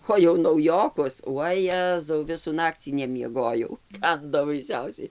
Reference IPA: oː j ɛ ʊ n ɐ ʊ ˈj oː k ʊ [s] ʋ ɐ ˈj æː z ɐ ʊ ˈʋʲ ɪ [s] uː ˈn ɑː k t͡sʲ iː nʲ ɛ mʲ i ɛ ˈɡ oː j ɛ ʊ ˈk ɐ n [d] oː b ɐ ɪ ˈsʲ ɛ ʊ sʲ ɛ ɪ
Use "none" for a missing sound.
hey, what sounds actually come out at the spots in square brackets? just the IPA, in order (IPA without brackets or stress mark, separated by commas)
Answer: s, s, d